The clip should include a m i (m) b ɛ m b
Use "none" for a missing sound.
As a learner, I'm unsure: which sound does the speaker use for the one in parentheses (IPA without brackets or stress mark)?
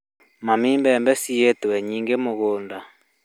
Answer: m